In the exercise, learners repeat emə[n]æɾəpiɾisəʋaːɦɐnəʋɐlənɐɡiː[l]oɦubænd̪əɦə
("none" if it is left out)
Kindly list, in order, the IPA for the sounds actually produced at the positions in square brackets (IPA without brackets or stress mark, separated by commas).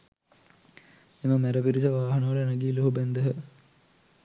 m, l